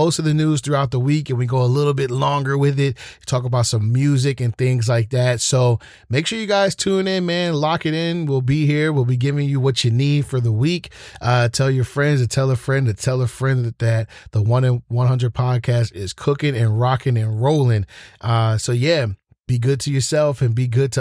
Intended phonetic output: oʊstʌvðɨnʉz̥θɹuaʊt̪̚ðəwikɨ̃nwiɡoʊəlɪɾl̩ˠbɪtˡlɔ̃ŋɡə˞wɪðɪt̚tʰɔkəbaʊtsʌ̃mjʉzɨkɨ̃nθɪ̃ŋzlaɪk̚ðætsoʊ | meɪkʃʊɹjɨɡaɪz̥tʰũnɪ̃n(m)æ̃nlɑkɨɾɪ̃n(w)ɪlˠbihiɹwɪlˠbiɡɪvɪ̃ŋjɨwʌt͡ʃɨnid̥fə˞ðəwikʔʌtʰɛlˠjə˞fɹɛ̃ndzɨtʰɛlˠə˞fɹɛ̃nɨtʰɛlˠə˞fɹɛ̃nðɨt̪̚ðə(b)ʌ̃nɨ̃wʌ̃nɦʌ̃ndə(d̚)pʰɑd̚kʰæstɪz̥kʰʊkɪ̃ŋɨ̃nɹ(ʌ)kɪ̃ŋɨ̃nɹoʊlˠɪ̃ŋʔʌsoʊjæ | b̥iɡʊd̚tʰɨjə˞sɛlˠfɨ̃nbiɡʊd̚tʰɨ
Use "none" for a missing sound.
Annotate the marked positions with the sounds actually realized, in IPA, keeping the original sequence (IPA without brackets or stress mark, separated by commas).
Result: m, w, w, d̚, ɑ